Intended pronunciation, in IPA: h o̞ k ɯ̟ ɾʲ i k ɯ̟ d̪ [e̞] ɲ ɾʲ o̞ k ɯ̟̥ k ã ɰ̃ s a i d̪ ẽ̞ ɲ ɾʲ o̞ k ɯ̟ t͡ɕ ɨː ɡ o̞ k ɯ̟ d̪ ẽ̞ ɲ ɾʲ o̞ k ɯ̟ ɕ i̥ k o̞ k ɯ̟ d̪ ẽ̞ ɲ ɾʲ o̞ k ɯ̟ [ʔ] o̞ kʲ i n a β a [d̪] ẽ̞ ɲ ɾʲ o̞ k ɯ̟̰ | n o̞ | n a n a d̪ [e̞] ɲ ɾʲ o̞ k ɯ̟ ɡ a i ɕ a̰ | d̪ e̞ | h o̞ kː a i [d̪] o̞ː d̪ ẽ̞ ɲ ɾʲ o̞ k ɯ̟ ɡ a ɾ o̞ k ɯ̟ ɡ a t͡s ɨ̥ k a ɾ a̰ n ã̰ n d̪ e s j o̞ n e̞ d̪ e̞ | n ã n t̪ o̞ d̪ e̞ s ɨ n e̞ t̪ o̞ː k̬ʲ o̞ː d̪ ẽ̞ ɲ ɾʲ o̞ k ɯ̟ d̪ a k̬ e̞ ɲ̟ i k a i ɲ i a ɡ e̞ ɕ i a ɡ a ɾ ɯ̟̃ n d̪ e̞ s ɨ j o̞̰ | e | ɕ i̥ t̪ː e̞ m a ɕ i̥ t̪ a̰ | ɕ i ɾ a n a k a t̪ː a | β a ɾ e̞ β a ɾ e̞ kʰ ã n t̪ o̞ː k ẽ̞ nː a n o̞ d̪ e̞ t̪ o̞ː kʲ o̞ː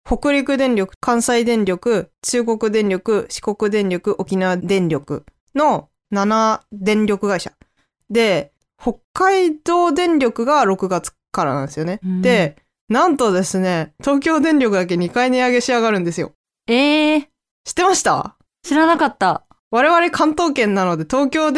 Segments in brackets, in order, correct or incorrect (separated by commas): incorrect, correct, correct, incorrect, correct